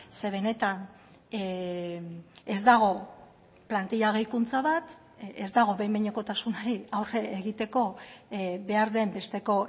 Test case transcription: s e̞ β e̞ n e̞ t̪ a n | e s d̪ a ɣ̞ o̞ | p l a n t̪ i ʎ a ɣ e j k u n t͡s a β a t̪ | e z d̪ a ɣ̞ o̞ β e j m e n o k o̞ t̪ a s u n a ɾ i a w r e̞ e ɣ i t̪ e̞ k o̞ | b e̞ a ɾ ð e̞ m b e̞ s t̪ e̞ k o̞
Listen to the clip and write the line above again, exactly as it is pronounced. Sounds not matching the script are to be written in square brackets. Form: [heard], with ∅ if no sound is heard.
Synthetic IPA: s e̞ β e̞ n e̞ t̪ a n | e [z] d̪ a ɣ̞ o̞ | p l a n t̪ i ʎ a ɣ e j k u n t͡s a β a t̪ | e z d̪ a ɣ̞ o̞ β e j m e [ɲ] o k o̞ t̪ a s u n a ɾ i a w r e̞ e ɣ i t̪ e̞ k o̞ | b e̞ a ɾ ð e̞ m b e̞ s t̪ e̞ k o̞